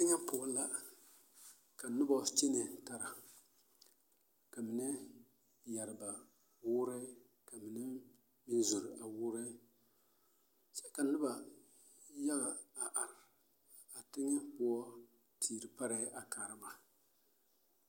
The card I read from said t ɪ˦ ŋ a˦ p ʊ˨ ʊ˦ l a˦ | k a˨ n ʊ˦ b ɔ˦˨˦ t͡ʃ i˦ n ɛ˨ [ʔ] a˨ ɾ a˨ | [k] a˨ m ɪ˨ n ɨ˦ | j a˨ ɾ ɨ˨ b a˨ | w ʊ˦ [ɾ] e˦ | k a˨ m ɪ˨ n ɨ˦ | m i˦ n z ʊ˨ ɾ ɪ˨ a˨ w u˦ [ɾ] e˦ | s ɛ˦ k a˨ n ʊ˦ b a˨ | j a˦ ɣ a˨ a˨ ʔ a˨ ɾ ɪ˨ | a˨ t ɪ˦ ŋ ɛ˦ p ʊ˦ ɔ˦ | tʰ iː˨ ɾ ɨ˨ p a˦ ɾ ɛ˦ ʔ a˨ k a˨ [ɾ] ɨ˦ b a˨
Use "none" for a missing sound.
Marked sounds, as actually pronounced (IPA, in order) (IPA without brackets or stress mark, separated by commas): t, k, ɾ, ɾ, ɾ